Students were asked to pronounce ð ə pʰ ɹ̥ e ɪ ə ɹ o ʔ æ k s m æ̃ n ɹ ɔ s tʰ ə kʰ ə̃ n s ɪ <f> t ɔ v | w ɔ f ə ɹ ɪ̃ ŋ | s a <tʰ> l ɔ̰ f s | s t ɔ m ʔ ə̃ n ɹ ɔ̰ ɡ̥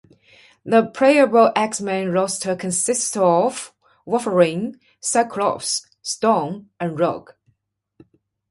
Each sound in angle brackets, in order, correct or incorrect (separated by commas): incorrect, incorrect